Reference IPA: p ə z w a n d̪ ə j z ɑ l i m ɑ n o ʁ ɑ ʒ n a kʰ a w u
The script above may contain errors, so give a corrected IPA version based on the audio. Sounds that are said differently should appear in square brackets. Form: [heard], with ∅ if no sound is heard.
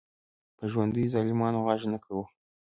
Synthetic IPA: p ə [ʒ] w a n d̪ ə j z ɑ l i m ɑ n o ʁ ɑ ʒ n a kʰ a w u